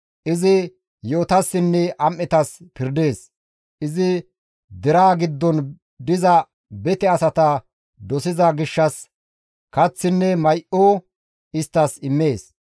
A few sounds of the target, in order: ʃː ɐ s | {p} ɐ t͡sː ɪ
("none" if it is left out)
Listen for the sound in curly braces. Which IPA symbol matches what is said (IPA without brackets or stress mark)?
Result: k